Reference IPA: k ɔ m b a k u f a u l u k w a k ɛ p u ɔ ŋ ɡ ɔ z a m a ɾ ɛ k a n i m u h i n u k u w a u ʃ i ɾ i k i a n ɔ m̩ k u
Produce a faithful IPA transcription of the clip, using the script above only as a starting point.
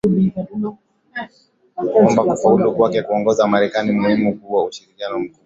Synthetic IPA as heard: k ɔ m b a k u f a u l u k w a k ɛ k u ɔ ŋ ɡ ɔ z a m a ɾ ɛ k a n i m u h i m u k u w a u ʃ i ɾ i k i a n ɔ m̩ k u